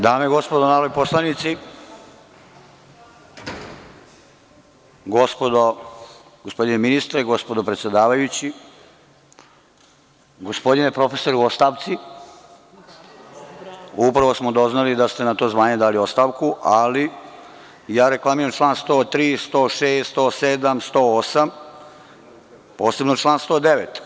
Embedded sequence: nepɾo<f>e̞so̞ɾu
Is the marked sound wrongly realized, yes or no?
no